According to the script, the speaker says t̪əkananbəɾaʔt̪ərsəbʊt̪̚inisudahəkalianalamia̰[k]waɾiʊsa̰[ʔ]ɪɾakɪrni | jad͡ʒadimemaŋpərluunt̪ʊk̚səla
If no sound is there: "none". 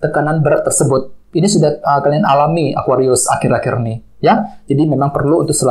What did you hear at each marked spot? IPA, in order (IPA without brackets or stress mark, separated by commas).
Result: k, k